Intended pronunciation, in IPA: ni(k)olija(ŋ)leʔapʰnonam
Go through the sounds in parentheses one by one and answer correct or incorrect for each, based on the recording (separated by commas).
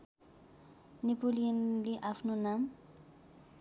incorrect, incorrect